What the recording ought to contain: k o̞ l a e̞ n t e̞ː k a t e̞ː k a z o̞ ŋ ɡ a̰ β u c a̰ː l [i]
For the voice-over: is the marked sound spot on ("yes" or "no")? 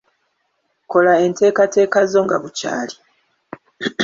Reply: yes